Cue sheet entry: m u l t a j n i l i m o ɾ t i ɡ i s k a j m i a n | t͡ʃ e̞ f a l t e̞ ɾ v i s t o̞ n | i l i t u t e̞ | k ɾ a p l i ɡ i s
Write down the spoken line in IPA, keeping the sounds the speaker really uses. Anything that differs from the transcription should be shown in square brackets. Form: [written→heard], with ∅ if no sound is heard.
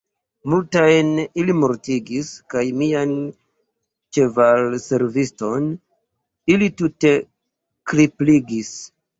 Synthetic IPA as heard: m u l t a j n i l i m o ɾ t i ɡ i s k a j m i a n | t͡ʃ e̞ [f→v] a l [t→s] e̞ ɾ v i s t o̞ n | i l i t u t e̞ | k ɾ [a→i] p l i ɡ i s